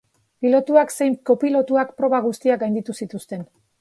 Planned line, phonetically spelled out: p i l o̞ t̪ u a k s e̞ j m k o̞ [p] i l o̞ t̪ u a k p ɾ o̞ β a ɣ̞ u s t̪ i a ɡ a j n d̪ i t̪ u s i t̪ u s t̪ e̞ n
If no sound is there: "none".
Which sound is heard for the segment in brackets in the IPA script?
p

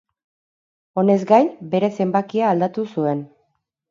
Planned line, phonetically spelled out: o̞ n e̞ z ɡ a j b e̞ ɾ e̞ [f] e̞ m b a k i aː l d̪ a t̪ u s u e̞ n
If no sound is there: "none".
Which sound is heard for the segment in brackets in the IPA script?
s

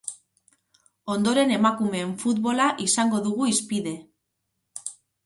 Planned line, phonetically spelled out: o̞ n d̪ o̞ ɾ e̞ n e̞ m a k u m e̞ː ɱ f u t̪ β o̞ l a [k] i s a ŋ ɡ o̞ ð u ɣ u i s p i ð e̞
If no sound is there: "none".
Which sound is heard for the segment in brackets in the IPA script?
ʔ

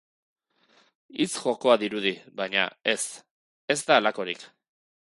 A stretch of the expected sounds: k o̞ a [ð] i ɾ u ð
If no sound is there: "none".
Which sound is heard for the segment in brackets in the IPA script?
ð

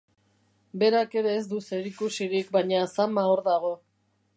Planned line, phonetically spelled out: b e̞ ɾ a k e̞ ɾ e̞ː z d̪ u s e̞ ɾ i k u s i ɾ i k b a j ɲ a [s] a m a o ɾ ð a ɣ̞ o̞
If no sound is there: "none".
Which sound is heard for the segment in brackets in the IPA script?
s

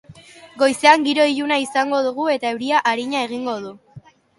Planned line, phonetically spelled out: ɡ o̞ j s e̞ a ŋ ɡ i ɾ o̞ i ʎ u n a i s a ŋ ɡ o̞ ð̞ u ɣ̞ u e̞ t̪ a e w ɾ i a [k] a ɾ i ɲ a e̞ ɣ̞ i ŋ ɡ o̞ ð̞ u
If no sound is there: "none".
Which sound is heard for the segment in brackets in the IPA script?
ʔ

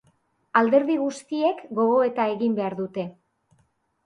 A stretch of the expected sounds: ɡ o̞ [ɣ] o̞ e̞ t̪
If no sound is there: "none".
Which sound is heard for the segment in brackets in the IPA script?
ɣ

